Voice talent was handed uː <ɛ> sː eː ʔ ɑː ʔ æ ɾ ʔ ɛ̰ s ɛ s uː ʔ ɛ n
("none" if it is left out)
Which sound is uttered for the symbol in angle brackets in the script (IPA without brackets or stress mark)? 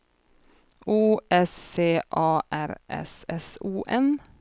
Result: ɛ